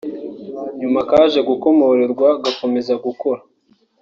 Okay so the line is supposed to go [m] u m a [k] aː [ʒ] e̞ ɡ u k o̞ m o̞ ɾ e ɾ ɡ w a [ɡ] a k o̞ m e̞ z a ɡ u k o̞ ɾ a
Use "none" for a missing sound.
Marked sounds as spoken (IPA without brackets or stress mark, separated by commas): ɲ, k, ʒ, ɡ